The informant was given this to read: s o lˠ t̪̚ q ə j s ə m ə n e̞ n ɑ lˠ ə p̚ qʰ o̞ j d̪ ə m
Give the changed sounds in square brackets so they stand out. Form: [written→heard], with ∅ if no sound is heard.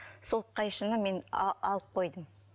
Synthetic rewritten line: s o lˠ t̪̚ q [ə→ɑ] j [s→ʃ] ə [m→n] ə [n→m] e̞ n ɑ lˠ ə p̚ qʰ o̞ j d̪ ə m

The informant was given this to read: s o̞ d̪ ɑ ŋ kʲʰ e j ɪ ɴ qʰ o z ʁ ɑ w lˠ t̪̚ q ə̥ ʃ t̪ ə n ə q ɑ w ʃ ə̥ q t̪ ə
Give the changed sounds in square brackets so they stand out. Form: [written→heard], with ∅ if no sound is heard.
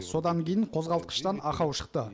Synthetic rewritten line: s o̞ d̪ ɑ ŋ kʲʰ e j ɪ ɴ qʰ o z ʁ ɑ [w→∅] lˠ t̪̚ q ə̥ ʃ t̪ [ə→ɑ] n [ə→ɑ] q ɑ w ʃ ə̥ q t̪ ə

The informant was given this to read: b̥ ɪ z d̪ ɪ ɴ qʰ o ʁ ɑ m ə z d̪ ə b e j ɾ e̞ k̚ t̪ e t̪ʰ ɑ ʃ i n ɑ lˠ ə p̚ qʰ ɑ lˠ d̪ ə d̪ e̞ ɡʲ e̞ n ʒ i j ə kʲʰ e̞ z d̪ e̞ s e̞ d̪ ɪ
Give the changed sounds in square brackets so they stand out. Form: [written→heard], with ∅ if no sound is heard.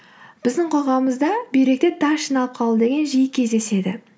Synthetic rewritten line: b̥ ɪ z d̪ ɪ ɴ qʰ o ʁ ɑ m ə z d̪ [ə→ɑ] b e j ɾ e̞ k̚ t̪ e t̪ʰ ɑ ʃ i n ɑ lˠ ə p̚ qʰ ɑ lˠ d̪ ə d̪ e̞ ɡʲ e̞ n ʒ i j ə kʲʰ e̞ z d̪ e̞ s e̞ d̪ ɪ

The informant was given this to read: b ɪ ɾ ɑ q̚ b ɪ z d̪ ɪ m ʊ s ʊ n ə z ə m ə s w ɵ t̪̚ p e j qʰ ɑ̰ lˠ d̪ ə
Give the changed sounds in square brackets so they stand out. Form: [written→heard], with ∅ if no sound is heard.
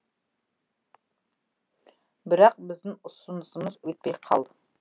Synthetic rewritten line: b ɪ ɾ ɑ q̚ b ɪ z d̪ ɪ [m→ŋ] ʊ s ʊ n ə [z→s] ə m ə [s→z] w ɵ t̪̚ p e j qʰ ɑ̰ lˠ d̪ ə

